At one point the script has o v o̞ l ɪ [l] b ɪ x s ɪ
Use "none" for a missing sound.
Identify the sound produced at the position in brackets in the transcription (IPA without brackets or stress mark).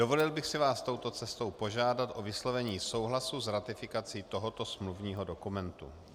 l